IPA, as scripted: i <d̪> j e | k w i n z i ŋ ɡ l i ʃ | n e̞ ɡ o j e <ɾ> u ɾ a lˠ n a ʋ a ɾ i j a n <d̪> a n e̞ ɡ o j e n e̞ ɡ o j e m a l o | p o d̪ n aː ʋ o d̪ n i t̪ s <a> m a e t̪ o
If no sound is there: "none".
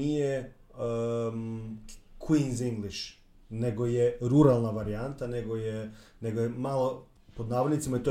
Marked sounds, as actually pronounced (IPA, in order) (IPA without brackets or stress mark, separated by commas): none, ɾ, t̪, i